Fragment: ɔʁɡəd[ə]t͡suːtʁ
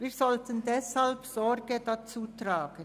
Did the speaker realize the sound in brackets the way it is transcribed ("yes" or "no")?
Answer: no